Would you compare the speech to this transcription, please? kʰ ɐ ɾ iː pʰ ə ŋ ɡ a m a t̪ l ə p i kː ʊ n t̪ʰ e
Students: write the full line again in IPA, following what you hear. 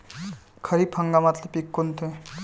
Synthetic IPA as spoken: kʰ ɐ ɾ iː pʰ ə ŋ ɡ a m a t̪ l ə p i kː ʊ n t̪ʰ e